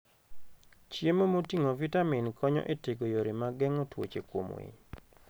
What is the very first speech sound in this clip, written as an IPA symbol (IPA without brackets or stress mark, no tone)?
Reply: t͡ʃ